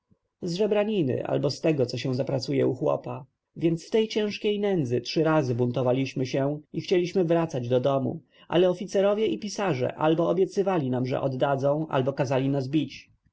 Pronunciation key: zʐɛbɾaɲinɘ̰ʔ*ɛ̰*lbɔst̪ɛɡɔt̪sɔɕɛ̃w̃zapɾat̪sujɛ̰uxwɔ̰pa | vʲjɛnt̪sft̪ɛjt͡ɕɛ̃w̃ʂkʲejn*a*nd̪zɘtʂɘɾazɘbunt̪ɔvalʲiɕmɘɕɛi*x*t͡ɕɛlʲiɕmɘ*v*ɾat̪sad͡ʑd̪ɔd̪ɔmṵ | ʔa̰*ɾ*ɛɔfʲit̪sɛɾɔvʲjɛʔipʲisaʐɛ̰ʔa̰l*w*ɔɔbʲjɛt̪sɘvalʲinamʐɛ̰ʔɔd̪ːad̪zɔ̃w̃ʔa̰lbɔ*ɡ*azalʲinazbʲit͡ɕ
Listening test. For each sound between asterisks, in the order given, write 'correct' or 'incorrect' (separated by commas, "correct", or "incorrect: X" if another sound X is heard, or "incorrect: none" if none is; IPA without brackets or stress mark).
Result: incorrect: a̰, incorrect: ɛ, correct, correct, incorrect: l, incorrect: b, incorrect: k